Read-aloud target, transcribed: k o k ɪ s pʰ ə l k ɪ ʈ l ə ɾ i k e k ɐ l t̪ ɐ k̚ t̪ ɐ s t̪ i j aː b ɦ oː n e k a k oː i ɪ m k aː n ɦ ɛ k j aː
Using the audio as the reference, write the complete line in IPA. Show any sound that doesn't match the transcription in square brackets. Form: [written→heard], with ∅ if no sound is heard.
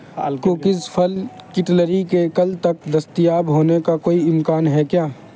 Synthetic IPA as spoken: k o k ɪ s pʰ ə l k ɪ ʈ l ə ɾ i k e k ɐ l t̪ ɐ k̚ [t̪→d̪] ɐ s t̪ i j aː b ɦ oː n e k a k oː i ɪ m k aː n ɦ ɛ k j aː